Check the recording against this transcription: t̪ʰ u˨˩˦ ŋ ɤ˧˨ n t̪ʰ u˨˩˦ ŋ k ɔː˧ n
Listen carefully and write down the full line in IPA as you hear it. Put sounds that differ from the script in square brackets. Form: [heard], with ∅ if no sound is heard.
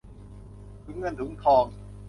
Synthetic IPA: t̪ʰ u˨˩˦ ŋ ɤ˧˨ n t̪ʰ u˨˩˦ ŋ [kʰ] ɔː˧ [ŋ]